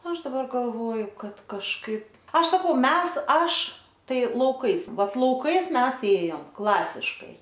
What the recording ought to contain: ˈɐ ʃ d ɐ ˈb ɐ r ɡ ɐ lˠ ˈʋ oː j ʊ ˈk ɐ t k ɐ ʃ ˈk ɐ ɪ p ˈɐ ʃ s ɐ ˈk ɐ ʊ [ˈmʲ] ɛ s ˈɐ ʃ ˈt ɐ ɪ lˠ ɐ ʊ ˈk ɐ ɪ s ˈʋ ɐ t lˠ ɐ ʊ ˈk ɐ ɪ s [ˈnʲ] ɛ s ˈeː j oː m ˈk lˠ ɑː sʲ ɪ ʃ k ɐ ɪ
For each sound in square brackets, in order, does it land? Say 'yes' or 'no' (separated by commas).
yes, no